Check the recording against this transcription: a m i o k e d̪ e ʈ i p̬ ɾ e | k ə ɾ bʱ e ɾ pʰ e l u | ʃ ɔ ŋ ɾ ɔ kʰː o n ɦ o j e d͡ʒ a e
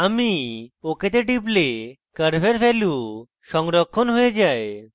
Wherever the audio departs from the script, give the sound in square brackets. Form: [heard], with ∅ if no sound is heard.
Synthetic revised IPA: a m i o k e [t̪] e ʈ i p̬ [l] e | k ə ɾ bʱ e ɾ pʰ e l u | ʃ ɔ ŋ ɾ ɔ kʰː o n ɦ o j e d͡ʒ a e